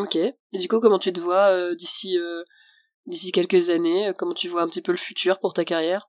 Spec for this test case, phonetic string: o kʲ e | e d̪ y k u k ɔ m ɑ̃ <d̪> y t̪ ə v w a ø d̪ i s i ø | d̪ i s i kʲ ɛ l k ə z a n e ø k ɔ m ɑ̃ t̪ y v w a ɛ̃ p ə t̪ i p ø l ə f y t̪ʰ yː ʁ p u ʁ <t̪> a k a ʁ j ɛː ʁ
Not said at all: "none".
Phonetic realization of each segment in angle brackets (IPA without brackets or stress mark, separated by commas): t̪, t̪